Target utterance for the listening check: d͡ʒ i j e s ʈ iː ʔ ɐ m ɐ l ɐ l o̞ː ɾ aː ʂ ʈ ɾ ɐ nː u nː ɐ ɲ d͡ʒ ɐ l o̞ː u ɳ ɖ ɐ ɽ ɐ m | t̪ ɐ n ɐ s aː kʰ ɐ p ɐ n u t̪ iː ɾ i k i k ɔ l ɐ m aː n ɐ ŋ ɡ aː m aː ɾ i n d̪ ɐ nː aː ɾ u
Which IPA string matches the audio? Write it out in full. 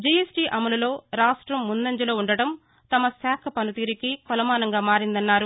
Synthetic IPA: d͡ʒ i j e s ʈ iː ʔ ɐ m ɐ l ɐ l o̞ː ɾ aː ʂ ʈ ɾ ɐ mː u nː ɐ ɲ d͡ʒ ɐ l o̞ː u ɳ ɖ ɐ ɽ ɐ m | t̪ ɐ m ɐ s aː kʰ ɐ p ɐ n u t̪ iː ɾ i k i k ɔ l ɐ m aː n ɐ ŋ ɡ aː m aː ɾ i n d̪ ɐ nː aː ɾ u